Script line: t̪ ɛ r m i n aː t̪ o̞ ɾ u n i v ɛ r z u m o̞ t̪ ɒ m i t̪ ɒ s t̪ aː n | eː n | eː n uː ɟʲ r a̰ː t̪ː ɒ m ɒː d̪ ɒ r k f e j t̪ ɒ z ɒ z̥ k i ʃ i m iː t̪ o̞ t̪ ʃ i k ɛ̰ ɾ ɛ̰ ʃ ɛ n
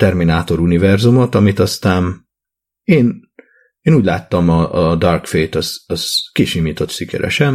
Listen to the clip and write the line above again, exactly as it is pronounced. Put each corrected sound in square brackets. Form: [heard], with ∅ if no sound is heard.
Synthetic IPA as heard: t̪ ɛ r m i n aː t̪ o̞ ɾ u n i v ɛ r z u m o̞ t̪ ɒ m i t̪ ɒ s t̪ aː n | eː n | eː n uː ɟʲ [l] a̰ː t̪ː ɒ m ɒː d̪ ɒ r k f e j t̪ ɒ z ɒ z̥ k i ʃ i m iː t̪ o̞ t̪ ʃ i k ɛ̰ ɾ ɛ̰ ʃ ɛ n